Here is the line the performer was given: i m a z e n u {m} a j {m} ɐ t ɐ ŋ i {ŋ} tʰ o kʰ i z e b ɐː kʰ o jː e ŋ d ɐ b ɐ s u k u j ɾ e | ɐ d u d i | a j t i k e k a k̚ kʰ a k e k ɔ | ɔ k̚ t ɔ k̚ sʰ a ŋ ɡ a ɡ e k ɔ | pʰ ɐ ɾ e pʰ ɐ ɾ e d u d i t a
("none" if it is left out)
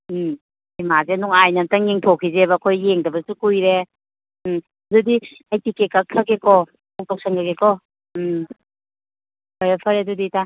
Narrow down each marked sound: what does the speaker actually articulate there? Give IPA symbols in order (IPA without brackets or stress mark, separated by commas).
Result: ŋ, n, ŋ